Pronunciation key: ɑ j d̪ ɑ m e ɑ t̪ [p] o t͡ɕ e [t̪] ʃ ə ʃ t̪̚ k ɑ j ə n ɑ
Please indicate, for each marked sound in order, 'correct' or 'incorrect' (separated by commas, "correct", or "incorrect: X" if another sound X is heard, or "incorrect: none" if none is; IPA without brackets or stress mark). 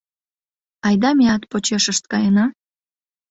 correct, incorrect: none